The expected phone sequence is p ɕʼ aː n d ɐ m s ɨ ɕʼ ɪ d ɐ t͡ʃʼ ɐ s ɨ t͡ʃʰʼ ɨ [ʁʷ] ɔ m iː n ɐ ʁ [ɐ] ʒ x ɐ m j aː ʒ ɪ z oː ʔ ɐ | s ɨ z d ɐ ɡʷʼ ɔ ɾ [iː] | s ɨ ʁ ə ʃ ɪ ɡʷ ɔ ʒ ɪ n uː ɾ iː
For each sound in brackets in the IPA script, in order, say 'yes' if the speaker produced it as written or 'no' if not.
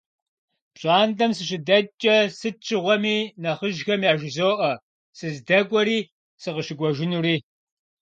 yes, no, yes

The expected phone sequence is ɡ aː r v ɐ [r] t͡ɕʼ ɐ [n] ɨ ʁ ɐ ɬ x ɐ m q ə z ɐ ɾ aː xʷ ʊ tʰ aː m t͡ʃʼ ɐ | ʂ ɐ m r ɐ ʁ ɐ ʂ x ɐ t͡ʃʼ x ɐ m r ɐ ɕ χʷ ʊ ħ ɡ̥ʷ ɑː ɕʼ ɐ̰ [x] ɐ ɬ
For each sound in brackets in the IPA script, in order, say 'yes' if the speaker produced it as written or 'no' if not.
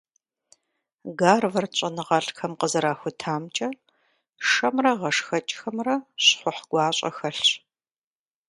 yes, yes, yes

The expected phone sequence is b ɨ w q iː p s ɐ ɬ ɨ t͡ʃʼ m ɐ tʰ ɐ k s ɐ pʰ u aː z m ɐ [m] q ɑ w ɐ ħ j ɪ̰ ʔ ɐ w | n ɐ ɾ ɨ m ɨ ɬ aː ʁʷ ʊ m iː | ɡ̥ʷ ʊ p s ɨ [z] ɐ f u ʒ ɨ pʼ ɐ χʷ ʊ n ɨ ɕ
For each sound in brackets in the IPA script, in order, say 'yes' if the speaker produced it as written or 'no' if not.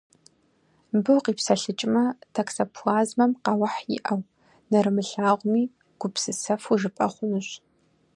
yes, no

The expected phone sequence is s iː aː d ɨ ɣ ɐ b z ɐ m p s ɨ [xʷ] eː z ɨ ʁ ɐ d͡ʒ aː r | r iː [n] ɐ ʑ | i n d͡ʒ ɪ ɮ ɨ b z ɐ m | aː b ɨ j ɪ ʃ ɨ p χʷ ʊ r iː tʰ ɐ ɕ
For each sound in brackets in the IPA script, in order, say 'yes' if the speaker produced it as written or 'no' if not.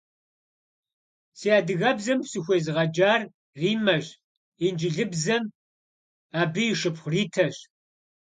yes, no

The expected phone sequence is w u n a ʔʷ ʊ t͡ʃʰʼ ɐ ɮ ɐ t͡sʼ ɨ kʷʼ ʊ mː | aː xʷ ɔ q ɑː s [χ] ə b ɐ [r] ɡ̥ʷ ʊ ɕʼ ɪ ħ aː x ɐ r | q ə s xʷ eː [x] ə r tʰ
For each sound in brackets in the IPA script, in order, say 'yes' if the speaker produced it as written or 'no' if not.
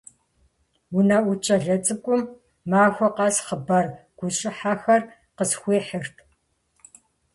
yes, yes, no

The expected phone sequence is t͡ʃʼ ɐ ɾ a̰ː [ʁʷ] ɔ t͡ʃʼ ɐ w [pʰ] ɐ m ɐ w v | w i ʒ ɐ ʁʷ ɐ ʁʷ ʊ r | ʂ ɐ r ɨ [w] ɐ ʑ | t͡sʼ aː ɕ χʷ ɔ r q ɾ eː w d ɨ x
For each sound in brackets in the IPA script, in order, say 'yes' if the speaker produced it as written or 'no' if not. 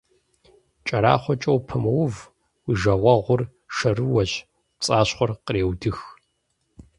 no, yes, yes

